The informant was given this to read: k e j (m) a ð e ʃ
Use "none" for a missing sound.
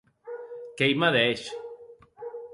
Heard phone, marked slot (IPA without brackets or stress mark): m